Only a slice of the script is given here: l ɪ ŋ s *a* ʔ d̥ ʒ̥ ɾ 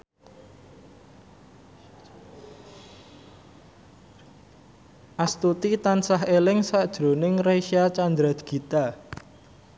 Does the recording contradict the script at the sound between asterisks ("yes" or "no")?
no